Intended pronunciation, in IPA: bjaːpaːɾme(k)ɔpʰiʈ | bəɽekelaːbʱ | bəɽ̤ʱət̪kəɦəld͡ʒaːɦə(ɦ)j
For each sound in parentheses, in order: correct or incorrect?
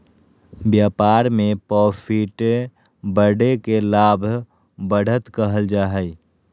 incorrect: p, incorrect: none

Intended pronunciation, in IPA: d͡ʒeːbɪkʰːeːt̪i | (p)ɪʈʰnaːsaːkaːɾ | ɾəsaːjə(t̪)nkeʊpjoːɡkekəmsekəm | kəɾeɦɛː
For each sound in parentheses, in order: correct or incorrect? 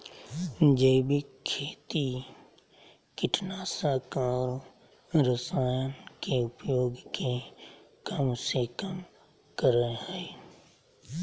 incorrect: k, incorrect: none

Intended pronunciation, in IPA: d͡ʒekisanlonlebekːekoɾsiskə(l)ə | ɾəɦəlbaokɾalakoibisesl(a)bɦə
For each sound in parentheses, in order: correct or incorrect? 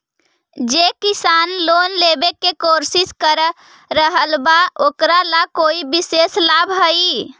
incorrect: ɾ, correct

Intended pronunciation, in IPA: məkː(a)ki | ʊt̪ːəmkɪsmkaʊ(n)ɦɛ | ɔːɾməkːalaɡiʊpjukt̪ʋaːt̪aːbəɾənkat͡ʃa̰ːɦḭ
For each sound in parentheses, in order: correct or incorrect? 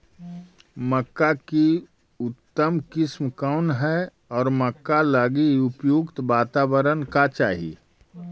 correct, correct

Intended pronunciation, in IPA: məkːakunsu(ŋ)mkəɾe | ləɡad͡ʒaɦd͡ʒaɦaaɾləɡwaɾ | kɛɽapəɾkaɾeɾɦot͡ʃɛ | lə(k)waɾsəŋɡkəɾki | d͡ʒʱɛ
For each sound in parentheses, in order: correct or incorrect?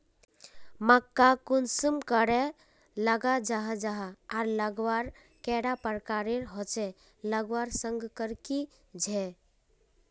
incorrect: none, incorrect: ɡ

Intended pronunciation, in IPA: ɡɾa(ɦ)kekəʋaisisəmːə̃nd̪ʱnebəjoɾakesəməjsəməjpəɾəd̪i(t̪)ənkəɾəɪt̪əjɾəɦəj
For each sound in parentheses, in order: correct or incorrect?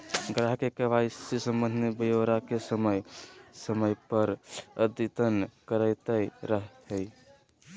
correct, correct

